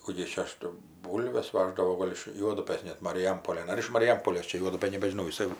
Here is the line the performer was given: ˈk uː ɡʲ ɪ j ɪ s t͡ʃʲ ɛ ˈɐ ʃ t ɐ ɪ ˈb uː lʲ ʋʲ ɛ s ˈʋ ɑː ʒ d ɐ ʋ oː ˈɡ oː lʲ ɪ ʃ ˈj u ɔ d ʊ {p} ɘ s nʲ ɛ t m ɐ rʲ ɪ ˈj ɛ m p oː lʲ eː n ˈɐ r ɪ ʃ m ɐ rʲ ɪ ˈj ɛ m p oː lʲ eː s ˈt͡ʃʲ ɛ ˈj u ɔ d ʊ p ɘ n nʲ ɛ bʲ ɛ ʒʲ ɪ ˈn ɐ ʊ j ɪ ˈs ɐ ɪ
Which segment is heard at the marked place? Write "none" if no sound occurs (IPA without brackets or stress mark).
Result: p